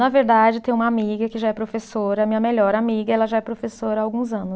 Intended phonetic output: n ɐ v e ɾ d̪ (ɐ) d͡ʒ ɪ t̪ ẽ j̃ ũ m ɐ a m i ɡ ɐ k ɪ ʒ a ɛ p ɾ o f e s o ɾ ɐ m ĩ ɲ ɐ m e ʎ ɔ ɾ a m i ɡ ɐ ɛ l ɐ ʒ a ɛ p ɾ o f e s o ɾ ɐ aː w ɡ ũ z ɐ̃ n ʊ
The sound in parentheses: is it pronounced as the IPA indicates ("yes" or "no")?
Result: no